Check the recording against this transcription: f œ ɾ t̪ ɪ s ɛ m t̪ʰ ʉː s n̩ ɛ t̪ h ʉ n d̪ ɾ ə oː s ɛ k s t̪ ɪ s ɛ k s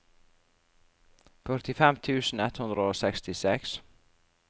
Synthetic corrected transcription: f œ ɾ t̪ ɪ f ɛ m t̪ʰ ʉː s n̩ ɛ t̪ h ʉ n d̪ ɾ ə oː s ɛ k s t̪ ɪ s ɛ k s